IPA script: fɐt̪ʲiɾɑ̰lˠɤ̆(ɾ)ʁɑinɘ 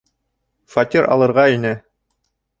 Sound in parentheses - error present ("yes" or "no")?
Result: no